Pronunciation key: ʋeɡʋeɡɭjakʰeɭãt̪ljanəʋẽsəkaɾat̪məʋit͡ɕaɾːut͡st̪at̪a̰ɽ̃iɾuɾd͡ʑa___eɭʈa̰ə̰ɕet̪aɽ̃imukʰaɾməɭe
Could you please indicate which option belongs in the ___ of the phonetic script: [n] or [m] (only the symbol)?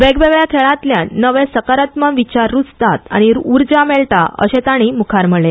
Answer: m